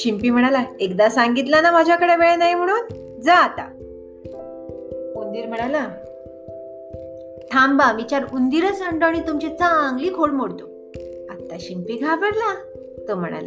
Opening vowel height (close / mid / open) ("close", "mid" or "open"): close